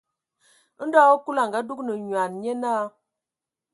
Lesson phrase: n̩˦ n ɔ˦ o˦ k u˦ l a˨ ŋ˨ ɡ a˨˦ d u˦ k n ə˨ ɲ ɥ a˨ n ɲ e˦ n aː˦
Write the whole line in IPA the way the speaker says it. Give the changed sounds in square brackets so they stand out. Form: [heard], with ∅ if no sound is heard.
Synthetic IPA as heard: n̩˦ [d] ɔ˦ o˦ k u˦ l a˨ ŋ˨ ɡ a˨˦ d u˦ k n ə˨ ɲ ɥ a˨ n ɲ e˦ n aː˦